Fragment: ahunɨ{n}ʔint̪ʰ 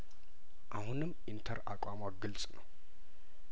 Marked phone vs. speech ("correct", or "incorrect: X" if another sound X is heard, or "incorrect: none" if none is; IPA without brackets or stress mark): incorrect: m